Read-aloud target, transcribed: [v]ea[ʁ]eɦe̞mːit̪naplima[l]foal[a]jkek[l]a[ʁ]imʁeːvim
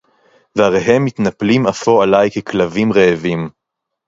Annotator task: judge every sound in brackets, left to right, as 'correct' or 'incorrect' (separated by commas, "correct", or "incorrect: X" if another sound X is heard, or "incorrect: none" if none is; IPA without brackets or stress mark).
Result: correct, correct, incorrect: none, correct, correct, incorrect: v